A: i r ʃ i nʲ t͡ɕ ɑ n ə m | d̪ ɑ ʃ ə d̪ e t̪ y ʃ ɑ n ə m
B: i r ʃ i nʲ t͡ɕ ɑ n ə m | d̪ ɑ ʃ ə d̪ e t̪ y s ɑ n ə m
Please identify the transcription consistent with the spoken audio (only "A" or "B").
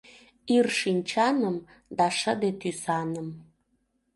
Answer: B